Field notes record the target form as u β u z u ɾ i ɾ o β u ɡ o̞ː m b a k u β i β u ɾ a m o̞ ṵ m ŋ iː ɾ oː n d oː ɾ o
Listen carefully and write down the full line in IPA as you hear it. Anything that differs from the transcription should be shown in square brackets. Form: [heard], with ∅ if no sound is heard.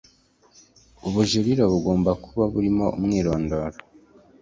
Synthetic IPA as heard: u β u [ʒ] u ɾ i ɾ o β u ɡ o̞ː m b a k u β [a] β u ɾ [i] m o̞ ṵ m ŋ iː ɾ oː n d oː ɾ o